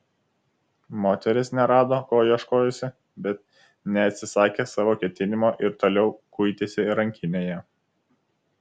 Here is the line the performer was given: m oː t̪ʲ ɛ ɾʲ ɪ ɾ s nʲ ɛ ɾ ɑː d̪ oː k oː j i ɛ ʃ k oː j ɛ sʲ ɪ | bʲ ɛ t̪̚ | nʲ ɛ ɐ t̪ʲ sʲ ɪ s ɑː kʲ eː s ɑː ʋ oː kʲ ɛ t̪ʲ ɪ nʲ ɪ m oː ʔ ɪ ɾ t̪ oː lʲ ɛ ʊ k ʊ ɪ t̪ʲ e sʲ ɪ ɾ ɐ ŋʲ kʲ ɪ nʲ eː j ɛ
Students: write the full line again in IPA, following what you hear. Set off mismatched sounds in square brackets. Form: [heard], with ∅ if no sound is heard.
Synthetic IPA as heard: m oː t̪ʲ ɛ ɾʲ ɪ [∅] s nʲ ɛ ɾ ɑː d̪ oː k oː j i ɛ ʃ k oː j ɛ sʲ ɪ | bʲ ɛ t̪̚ | nʲ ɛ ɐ t̪ʲ sʲ ɪ s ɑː kʲ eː s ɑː ʋ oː kʲ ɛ t̪ʲ ɪ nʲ ɪ m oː ʔ ɪ ɾ t̪ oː lʲ ɛ ʊ k ʊ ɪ t̪ʲ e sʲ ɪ ɾ ɐ ŋʲ kʲ ɪ nʲ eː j ɛ